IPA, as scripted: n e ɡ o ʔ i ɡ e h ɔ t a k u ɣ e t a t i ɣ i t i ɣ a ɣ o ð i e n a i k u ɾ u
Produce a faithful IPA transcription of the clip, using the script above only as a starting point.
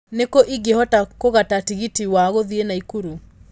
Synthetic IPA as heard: n e k o ʔ i ɡ e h ɔ t a k o ɣ a t a t i ɣ i t i w a ɣ o ð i e n a i k u ɾ u